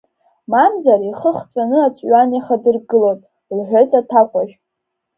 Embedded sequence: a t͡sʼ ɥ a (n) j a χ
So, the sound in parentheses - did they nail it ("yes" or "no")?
yes